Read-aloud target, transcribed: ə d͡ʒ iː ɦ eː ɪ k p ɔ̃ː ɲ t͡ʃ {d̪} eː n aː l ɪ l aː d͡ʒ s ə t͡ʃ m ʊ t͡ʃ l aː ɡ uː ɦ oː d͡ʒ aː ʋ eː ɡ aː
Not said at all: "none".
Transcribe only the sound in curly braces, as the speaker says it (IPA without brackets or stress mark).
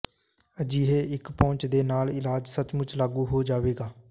d̪